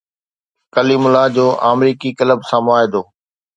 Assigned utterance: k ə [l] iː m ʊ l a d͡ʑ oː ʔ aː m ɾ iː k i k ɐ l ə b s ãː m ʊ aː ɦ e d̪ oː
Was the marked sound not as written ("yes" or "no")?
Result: no